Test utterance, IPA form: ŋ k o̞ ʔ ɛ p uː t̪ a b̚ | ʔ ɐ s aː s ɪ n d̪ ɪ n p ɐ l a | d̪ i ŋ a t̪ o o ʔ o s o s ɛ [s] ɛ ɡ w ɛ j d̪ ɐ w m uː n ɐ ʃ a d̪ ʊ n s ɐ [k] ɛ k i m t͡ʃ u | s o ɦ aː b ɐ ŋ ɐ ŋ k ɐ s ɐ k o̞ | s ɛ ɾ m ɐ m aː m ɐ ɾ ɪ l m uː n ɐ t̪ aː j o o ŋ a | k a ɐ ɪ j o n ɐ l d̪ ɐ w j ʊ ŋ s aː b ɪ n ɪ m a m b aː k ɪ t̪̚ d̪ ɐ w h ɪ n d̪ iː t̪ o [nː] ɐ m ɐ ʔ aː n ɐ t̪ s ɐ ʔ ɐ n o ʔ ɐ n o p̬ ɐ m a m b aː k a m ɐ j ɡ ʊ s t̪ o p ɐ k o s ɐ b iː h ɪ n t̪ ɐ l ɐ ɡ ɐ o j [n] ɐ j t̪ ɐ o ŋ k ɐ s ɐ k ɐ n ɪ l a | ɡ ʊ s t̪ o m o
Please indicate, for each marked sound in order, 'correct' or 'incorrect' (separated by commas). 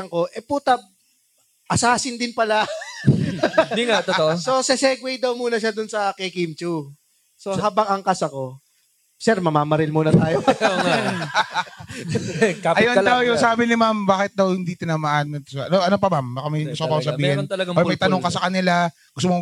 correct, correct, incorrect, incorrect